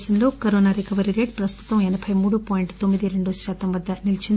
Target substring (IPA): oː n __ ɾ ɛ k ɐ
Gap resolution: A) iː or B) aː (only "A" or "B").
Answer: B